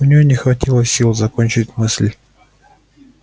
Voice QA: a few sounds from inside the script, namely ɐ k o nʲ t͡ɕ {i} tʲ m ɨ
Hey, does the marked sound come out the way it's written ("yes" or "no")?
no